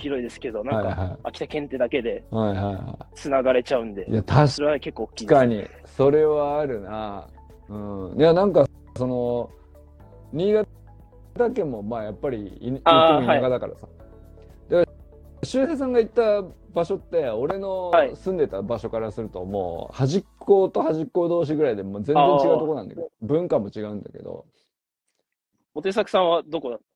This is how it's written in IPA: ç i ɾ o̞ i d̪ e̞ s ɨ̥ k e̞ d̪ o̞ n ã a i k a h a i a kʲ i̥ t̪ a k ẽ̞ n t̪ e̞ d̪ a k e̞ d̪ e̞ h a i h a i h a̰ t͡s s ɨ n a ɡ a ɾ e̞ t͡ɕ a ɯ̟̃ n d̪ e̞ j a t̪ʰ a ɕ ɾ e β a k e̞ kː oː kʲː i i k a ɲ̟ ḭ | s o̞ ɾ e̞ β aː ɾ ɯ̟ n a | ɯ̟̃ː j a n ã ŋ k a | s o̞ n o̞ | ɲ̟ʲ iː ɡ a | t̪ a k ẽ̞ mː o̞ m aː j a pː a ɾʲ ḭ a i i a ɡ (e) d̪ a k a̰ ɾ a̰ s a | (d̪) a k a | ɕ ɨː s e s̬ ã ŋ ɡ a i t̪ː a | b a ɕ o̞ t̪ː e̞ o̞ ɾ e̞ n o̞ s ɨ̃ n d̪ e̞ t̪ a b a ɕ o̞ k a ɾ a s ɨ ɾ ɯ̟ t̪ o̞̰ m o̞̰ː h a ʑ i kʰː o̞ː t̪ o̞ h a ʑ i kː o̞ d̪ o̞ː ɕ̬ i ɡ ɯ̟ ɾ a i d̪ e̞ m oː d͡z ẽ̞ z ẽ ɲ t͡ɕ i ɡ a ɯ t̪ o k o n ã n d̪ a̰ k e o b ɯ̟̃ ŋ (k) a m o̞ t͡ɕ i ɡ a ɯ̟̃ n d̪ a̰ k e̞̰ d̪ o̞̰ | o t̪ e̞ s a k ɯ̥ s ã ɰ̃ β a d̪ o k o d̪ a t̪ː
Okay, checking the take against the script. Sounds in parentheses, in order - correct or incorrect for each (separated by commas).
incorrect, correct, correct